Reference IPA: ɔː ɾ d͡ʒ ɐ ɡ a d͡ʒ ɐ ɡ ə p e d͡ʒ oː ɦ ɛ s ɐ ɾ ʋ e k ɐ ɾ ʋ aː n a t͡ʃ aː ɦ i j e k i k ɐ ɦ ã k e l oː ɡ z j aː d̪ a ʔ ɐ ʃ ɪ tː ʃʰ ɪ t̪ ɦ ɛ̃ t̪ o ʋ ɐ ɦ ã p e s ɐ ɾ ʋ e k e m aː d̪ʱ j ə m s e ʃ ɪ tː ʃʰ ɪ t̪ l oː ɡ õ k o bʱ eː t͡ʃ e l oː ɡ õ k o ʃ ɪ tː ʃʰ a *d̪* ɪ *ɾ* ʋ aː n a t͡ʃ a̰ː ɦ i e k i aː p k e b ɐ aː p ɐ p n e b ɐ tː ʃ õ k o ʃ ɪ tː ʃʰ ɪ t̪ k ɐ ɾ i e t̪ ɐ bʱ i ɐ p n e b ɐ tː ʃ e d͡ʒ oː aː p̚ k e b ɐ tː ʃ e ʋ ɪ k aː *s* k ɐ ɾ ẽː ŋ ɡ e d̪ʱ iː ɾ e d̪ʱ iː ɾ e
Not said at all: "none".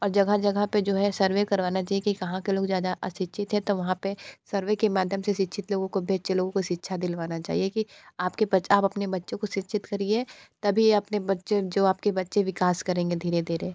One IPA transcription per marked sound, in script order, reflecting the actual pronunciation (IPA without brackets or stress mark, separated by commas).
d̪, l, s